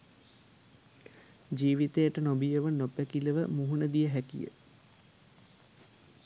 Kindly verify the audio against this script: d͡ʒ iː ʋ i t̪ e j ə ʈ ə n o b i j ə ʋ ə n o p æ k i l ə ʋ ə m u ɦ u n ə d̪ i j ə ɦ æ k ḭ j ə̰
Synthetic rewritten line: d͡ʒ iː ʋ i t̪ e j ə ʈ ə n o b i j ə ʋ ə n o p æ k i l ə ʋ ə m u ɦ u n ə d̪ i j ə ɦ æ k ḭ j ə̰